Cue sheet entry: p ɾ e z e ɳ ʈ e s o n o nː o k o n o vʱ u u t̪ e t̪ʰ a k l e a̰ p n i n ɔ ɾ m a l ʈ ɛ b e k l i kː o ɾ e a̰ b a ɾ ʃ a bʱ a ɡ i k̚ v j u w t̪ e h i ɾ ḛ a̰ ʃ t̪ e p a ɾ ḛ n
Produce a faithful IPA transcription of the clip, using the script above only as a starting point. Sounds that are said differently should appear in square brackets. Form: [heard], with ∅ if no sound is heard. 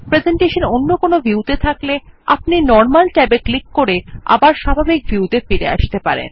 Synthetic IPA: p ɾ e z e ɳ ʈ e [ʃ] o n o nː o k o n o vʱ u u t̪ e t̪ʰ a k l e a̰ p n i n ɔ ɾ m a l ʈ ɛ b e k l i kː o ɾ e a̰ b a ɾ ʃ a bʱ a [b] i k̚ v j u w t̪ e [f] i ɾ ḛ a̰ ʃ t̪ e p a ɾ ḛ n